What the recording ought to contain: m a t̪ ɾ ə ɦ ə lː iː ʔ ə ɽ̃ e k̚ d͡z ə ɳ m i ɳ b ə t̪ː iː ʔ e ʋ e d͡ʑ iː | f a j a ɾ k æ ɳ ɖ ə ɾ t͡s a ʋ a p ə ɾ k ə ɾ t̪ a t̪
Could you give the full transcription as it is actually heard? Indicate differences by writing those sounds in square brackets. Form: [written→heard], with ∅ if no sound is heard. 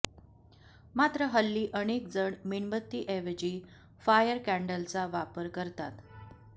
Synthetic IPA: m a t̪ ɾ ə ɦ ə lː iː ʔ ə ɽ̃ e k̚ d͡z ə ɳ m i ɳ b ə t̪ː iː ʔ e ʋ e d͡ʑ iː | f a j [a→ə] ɾ k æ ɳ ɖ ə [ɾ→l] t͡s a ʋ a p ə ɾ k ə ɾ t̪ a t̪